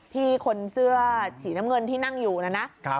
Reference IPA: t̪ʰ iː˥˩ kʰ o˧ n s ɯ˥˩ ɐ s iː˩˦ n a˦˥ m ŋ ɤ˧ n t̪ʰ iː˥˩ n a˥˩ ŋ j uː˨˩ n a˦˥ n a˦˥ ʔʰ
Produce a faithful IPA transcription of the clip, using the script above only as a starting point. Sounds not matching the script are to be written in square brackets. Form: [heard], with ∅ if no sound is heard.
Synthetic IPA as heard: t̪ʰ iː˥˩ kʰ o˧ n s ɯ˥˩ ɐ s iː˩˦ n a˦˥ m ŋ ɤ˧ n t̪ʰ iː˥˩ n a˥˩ ŋ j uː˨˩ n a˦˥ n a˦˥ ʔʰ